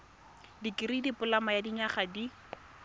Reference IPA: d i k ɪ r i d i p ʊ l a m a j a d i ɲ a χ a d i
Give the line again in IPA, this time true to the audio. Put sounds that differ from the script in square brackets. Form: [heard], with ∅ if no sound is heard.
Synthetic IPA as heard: d i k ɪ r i d i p ʊ l a m a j a d i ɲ a χ a d i